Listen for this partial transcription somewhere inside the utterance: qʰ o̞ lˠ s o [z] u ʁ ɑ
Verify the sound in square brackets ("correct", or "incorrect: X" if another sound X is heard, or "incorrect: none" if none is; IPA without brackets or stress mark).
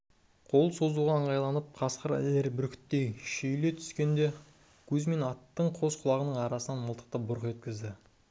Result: correct